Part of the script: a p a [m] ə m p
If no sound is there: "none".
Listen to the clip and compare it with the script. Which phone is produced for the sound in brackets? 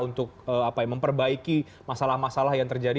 m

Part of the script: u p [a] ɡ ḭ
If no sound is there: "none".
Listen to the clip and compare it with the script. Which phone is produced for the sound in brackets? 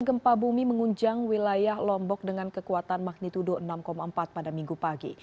a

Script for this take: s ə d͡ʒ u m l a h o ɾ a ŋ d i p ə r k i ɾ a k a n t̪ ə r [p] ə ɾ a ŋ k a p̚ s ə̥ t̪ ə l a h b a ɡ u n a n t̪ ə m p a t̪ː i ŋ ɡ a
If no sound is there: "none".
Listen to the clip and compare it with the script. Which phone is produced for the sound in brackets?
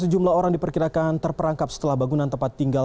p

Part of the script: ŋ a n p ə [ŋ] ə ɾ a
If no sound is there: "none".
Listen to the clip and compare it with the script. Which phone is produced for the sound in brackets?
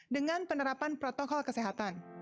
n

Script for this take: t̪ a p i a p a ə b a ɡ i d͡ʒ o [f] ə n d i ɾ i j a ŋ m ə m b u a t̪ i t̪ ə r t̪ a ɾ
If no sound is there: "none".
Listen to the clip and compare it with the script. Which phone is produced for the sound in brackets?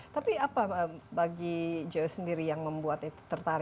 s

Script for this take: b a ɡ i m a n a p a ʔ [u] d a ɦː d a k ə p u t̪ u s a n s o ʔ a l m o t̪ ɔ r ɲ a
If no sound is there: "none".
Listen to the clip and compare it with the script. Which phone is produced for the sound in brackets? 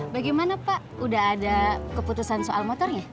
u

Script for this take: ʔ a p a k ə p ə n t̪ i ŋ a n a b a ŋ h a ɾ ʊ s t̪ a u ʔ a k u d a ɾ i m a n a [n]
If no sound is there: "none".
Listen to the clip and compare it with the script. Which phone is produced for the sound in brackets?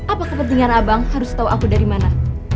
none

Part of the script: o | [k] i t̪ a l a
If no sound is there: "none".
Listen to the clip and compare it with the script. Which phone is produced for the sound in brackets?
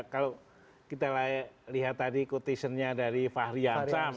k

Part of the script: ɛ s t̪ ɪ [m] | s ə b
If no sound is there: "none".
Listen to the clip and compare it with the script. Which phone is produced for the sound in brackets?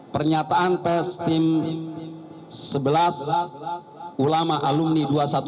m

